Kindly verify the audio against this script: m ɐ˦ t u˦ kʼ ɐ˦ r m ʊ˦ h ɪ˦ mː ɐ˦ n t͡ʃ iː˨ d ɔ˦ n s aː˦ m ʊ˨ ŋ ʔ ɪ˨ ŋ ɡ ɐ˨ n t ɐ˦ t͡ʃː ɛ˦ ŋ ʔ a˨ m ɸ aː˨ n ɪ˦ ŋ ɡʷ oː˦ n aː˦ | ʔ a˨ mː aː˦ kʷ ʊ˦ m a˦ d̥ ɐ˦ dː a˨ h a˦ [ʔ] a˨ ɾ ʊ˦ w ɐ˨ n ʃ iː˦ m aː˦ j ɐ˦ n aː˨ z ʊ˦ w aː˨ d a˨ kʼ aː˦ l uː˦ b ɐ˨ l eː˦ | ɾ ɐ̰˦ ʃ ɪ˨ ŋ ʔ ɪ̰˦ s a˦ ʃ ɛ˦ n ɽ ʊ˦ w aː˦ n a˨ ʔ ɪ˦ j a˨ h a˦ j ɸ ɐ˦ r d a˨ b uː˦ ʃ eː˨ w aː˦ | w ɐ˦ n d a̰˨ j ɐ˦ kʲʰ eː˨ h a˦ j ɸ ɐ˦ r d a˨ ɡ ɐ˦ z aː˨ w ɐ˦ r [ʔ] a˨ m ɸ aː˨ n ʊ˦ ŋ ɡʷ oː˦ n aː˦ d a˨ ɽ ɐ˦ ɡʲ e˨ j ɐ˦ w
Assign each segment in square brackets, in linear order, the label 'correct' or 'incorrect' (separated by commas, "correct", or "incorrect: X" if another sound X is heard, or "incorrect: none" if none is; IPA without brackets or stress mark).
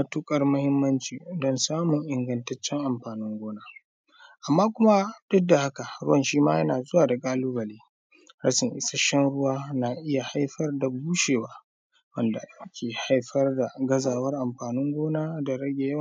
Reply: incorrect: k, correct